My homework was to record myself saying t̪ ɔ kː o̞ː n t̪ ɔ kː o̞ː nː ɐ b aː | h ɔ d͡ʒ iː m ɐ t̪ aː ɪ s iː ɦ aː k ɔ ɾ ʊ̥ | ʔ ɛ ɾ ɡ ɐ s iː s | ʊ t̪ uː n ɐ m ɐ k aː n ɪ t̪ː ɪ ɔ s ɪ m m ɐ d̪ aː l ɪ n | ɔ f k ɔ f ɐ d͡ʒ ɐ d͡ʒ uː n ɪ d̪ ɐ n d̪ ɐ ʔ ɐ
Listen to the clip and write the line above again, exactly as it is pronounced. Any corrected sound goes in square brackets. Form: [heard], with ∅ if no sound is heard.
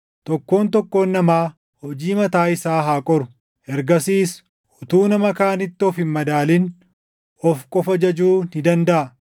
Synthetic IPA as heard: t̪ ɔ kː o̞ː n t̪ ɔ kː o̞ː nː ɐ [m] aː | h ɔ d͡ʒ iː m ɐ t̪ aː ɪ s [aː] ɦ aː [kʼ] ɔ ɾ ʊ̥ | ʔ ɛ ɾ ɡ ɐ s iː s | ʊ t̪ uː n ɐ m ɐ k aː n ɪ t̪ː ɪ ɔ [f] ɪ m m ɐ d̪ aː l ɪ n | ɔ f [kʼ] ɔ f ɐ d͡ʒ ɐ d͡ʒ uː n ɪ d̪ ɐ n d̪ ɐ ʔ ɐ